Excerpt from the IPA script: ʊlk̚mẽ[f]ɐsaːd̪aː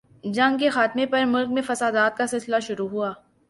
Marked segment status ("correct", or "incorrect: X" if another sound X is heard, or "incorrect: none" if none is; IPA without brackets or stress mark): correct